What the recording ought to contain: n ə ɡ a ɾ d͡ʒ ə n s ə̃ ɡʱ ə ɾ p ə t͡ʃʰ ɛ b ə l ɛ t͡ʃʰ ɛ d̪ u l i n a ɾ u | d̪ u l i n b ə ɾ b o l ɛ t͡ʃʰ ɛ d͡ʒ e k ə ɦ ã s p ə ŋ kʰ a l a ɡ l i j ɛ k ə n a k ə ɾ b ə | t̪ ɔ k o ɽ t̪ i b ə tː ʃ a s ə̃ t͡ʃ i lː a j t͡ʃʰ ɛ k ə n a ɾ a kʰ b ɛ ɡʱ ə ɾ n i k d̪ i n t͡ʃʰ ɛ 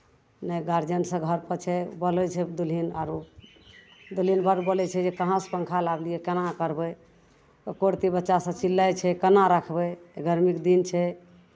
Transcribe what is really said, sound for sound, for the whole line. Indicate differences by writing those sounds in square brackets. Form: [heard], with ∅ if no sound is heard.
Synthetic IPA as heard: n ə ɡ a ɾ d͡ʒ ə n s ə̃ ɡʱ ə ɾ p ə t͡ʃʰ ɛ b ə l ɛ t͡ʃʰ ɛ d̪ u l i n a ɾ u | d̪ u l i n b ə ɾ b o l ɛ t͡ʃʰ ɛ d͡ʒ e k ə ɦ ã s p ə ŋ kʰ a l a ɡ l i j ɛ k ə n a k ə ɾ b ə | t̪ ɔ k o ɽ t̪ i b ə tː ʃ a s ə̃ t͡ʃ i lː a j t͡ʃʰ ɛ k ə n a ɾ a kʰ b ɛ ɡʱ ə ɾ [m] i k d̪ i n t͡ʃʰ ɛ